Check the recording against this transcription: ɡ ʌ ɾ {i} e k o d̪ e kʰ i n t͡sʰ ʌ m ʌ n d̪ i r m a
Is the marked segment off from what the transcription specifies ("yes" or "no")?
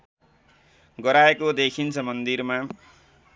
yes